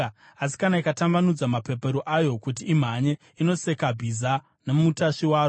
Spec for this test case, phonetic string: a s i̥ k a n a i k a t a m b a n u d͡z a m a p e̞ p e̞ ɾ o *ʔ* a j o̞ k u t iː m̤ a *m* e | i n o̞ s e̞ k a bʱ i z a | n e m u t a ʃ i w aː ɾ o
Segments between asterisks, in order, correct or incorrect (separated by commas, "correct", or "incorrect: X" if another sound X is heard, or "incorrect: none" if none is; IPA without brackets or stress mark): correct, incorrect: ɲ